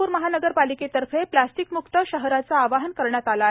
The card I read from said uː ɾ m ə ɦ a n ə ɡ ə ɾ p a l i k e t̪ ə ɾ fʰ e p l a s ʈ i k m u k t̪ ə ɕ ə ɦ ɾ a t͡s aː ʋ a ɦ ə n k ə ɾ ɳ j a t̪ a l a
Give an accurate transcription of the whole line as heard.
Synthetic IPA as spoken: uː ɾ m ə ɦ a n ə ɡ ə ɾ p a l i k e t̪ ə ɾ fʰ e p l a s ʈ i k m u k t̪ ə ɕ ə ɦ ɾ a t͡s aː ʋ a ɦ ə n k ə ɾ ɳ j a t̪ a l a